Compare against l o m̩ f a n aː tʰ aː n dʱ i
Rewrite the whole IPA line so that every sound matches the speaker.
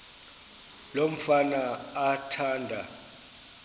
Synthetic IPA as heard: l o m̩ f a n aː tʰ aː n dʱ a